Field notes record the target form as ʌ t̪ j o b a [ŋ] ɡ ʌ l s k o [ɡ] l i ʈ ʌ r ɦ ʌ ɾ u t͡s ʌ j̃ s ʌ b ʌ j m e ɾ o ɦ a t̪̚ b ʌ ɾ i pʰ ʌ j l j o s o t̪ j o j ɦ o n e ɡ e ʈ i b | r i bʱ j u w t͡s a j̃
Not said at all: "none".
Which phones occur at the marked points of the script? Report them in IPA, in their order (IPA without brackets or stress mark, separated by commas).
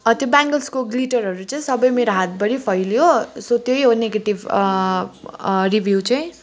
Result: ŋ, ɡ